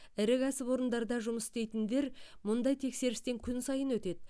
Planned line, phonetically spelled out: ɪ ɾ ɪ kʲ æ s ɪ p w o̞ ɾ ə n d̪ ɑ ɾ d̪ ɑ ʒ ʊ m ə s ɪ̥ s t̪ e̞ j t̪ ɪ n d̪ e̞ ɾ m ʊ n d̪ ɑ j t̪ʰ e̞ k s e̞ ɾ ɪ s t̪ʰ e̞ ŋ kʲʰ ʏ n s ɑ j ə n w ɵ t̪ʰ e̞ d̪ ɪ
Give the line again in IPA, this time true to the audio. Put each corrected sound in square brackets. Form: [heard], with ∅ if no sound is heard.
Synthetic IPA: ɪ ɾ ɪ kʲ æ s ɪ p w o̞ ɾ ə n d̪ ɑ ɾ d̪ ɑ ʒ ʊ m ə s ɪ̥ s t̪ e̞ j t̪ ɪ n d̪ e̞ ɾ m ʊ n d̪ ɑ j t̪ʰ e̞ k s e̞ ɾ ɪ s [t̪] e̞ ŋ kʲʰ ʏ n s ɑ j ə n w ɵ [t̪] e̞ d̪ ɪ

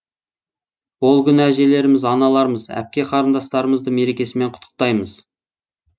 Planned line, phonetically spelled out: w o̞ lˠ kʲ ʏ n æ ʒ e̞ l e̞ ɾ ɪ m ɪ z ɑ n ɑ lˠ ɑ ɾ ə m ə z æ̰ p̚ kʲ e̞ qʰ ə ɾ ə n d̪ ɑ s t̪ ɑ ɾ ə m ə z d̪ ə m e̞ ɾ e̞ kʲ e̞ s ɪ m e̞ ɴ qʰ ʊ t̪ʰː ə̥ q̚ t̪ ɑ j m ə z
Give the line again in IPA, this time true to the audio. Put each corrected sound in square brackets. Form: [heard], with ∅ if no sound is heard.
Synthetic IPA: w o̞ lˠ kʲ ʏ n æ ʒ e̞ l e̞ ɾ ɪ m ɪ z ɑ n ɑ lˠ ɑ ɾ ə m ə z æ̰ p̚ kʲ e̞ qʰ [ɑ] ɾ ə n d̪ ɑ s t̪ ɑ ɾ ə m ə z d̪ ə m e̞ ɾ e̞ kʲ e̞ s ɪ m e̞ ɴ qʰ ʊ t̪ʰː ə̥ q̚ t̪ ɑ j m ə z

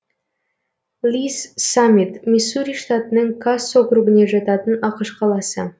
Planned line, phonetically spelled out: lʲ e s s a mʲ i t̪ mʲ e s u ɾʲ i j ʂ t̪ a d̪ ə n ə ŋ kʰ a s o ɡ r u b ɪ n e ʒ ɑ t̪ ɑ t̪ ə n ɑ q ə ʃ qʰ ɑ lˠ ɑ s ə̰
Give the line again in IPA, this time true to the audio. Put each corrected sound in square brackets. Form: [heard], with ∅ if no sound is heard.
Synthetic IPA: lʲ [i] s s a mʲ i t̪ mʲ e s u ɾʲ i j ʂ t̪ a [t̪] ə n ə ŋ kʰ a s o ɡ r u b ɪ n e ʒ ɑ t̪ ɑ t̪ ə n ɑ q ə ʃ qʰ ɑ lˠ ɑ s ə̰

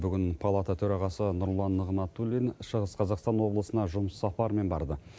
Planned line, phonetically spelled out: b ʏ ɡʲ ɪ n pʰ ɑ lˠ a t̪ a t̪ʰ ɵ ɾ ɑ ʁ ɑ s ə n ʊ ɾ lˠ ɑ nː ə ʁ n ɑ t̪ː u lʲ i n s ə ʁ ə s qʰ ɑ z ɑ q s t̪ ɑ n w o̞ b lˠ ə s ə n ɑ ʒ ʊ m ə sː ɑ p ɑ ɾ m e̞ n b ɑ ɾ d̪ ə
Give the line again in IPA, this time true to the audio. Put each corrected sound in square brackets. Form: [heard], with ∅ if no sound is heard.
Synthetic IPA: b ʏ ɡʲ ɪ n pʰ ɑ lˠ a t̪ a t̪ʰ ɵ ɾ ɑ ʁ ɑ s ə n ʊ ɾ lˠ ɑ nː ə ʁ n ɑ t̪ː u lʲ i n [ʃ] ə ʁ ə s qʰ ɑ z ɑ q s t̪ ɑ n w o̞ b lˠ ə s ə n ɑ ʒ ʊ m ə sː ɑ p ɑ ɾ m e̞ n b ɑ ɾ d̪ ə

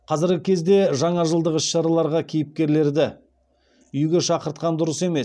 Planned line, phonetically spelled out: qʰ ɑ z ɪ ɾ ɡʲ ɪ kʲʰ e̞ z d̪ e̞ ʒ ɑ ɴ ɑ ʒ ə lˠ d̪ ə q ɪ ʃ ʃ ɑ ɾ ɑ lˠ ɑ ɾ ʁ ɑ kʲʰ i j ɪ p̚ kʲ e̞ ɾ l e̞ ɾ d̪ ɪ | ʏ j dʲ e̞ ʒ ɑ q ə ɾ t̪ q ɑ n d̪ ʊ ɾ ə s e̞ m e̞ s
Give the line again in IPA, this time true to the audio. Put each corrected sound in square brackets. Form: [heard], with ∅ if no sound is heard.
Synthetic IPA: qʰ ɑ z ɪ ɾ ɡʲ ɪ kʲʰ e̞ z d̪ e̞ ʒ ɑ ɴ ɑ ʒ ə lˠ d̪ ə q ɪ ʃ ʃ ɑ ɾ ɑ lˠ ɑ ɾ ʁ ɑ kʲʰ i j ɪ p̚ kʲ e̞ ɾ l e̞ ɾ d̪ ɪ | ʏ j [ɡʲ] e̞ [ʃ] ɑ q ə ɾ t̪ q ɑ n d̪ ʊ ɾ ə s e̞ m e̞ s

